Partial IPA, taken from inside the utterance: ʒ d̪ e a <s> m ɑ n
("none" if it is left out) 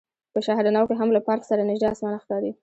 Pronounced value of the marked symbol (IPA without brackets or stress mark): s